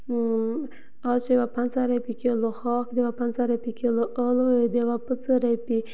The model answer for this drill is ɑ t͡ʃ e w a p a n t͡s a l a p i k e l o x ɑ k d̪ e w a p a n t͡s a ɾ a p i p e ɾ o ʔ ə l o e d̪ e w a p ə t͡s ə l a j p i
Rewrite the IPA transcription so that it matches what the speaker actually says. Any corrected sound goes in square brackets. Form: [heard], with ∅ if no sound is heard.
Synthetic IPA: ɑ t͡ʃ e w a p a n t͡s a [ɾ] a p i k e l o x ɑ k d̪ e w a p a n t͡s a ɾ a p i [k] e [l] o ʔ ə l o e d̪ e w a p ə t͡s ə [ɾ] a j p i